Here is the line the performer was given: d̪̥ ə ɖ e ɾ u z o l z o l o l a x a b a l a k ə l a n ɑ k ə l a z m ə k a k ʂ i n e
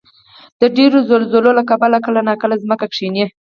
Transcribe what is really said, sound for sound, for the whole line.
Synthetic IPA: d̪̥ ə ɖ e ɾ o z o l z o l o l a k a b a l a k ə l a n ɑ k ə l a z m ə k a k ʂ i n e